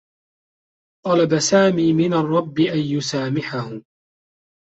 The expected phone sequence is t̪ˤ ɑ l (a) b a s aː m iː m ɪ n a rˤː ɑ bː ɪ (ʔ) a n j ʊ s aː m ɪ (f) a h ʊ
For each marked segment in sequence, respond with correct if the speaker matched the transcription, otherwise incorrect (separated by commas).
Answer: correct, correct, incorrect